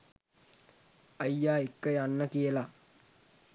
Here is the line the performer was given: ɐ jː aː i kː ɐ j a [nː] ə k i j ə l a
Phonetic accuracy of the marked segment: correct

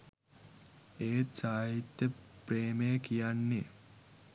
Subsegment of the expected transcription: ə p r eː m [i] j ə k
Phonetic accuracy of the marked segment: incorrect: e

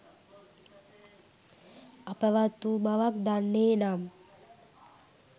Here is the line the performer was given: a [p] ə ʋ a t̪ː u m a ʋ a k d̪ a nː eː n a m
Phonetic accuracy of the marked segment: correct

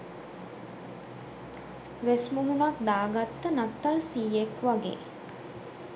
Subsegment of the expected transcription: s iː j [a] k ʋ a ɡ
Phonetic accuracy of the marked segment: incorrect: e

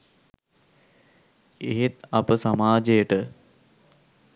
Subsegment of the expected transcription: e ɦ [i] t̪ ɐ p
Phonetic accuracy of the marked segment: incorrect: e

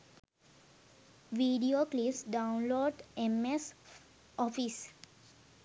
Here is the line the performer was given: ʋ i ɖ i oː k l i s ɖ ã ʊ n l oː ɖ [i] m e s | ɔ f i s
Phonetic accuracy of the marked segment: incorrect: e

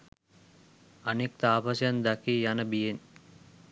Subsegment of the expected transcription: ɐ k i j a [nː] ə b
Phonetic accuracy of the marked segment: incorrect: n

